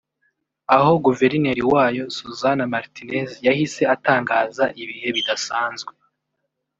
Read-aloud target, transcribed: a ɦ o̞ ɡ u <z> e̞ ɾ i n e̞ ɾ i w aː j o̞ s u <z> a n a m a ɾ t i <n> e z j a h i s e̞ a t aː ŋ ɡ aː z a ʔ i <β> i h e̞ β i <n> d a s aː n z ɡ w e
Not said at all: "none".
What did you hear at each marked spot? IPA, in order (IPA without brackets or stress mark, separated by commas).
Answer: v, z, n, β, none